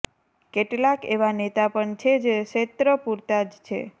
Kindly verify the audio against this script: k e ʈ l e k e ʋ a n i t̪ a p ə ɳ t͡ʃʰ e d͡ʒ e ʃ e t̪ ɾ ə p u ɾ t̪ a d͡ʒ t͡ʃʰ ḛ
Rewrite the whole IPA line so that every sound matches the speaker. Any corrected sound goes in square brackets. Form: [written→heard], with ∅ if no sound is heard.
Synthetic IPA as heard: k e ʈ l [e→a] k e ʋ a n [i→e] t̪ a p ə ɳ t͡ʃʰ e d͡ʒ e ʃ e t̪ ɾ ə p u ɾ t̪ a d͡ʒ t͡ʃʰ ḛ